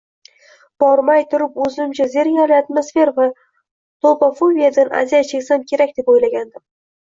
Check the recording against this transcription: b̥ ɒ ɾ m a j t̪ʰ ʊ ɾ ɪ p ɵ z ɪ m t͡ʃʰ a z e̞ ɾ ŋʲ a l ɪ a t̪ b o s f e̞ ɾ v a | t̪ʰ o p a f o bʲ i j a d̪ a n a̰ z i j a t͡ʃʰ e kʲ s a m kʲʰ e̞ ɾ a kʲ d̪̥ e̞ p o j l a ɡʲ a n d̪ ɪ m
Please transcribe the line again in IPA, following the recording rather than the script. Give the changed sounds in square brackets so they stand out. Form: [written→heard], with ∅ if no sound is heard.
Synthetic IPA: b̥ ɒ ɾ m a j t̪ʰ ʊ ɾ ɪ p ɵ z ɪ m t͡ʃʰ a z e̞ ɾ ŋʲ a l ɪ a t̪ [b→m] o s f e̞ ɾ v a | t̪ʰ o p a f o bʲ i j a d̪ a n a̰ z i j a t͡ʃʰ e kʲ s a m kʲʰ e̞ ɾ a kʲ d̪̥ e̞ p o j l a ɡʲ a n d̪ ɪ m